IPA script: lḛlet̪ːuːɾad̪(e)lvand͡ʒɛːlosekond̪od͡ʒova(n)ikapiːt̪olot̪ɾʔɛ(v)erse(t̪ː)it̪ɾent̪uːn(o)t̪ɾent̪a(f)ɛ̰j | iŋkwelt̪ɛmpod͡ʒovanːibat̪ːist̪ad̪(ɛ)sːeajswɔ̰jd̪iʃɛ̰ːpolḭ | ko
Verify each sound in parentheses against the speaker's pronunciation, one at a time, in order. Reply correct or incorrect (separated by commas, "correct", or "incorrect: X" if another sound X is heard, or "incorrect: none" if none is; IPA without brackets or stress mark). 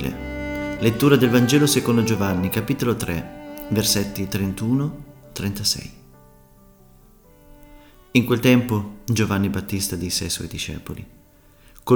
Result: correct, incorrect: nː, correct, correct, correct, incorrect: s, incorrect: i